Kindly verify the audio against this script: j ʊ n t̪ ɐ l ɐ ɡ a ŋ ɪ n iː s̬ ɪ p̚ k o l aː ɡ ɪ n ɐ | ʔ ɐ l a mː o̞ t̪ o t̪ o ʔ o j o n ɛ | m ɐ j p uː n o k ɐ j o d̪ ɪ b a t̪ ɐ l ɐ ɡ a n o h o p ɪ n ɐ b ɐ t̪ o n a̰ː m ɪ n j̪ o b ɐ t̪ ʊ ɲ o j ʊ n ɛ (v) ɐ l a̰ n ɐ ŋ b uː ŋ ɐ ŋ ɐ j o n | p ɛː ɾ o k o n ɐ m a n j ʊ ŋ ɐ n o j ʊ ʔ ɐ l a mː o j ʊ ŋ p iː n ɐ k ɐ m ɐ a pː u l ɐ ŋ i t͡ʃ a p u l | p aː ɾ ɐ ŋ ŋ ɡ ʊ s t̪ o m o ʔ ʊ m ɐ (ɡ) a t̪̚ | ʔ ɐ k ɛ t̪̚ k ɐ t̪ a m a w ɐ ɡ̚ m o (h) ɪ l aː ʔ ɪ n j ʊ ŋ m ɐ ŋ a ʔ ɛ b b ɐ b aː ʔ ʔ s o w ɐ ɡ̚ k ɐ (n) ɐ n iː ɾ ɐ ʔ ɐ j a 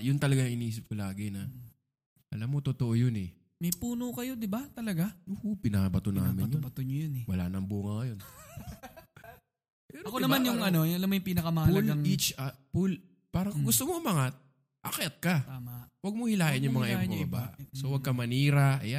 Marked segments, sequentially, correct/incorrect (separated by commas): incorrect, incorrect, correct, incorrect